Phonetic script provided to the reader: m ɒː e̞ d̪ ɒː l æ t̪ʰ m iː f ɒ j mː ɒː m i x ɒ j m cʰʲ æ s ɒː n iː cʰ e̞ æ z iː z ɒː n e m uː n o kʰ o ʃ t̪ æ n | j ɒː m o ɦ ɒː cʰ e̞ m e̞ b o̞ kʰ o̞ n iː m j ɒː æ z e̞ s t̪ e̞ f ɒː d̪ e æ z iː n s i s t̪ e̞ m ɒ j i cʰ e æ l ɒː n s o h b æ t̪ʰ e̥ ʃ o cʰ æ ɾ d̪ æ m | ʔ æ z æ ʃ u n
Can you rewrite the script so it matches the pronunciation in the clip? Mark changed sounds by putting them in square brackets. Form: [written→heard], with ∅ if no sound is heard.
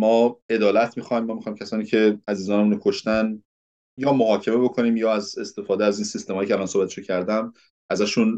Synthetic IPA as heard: m ɒː e̞ d̪ ɒː l æ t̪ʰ m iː [f→x] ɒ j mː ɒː m i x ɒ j m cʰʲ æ s ɒː n iː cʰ e̞ æ z iː z ɒː n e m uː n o kʰ o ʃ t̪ æ n | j ɒː m o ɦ ɒː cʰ e̞ m e̞ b o̞ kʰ o̞ n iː m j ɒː æ z e̞ s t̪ e̞ f ɒː d̪ e æ z iː n s i s t̪ e̞ m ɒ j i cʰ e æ l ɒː n s o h b æ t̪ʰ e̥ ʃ o cʰ æ ɾ d̪ æ m | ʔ æ z æ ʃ u n